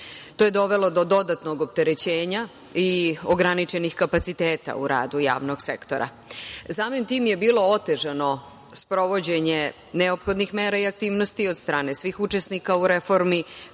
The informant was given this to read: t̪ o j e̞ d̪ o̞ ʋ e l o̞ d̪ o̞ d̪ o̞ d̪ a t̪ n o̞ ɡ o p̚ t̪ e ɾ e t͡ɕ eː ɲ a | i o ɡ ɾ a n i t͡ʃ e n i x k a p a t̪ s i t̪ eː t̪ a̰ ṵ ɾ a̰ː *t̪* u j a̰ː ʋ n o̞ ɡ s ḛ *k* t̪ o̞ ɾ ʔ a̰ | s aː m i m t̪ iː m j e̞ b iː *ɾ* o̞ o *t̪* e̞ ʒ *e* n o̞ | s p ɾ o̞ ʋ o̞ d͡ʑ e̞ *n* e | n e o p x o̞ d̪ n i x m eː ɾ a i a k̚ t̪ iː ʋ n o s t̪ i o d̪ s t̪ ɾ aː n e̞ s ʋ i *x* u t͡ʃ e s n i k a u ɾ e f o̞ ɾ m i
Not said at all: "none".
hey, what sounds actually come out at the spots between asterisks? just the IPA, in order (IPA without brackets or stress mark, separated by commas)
d̪, k, l, t̪, a, ɲ, x